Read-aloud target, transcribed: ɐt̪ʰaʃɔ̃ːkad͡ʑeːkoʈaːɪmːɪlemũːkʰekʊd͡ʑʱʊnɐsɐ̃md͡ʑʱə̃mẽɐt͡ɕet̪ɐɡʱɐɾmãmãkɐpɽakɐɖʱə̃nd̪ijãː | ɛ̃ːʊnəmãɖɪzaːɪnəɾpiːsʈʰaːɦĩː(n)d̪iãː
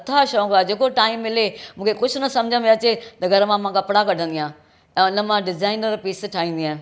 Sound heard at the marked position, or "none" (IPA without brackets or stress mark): n